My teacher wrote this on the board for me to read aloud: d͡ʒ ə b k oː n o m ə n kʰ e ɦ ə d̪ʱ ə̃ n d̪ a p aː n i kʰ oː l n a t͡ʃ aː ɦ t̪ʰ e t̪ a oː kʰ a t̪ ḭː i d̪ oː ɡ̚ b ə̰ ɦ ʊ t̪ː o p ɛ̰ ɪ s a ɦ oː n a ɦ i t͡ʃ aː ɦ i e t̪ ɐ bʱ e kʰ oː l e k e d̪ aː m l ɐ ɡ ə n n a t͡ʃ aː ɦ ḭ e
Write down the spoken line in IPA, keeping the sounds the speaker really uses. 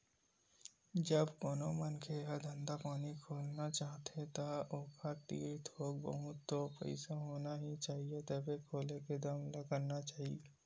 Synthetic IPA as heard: d͡ʒ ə b k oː n o m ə n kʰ e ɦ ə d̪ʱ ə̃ n d̪ a p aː n i kʰ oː l n a t͡ʃ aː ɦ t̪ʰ e t̪ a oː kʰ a t̪ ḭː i t̪ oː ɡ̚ b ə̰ ɦ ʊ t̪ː o p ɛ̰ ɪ s a ɦ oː n a ɦ i t͡ʃ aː ɦ i e t̪ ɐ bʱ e kʰ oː l e k e d̪ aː m l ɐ ɡ ə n n a t͡ʃ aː ɦ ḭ e